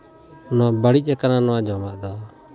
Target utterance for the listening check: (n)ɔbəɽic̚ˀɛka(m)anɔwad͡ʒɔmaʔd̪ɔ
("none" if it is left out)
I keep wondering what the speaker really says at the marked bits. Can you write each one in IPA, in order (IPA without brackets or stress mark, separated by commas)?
n, n